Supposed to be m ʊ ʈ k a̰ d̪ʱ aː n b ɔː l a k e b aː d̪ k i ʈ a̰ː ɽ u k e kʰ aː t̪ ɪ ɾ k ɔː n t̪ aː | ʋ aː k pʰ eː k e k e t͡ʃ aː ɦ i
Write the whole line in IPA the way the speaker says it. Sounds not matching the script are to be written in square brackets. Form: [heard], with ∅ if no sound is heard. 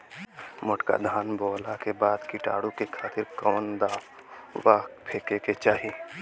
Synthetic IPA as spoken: m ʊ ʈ k a̰ d̪ʱ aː n b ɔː l a k e b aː d̪ k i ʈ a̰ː ɽ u k e kʰ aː t̪ ɪ ɾ k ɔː n [d̪] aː | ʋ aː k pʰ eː k e k e t͡ʃ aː ɦ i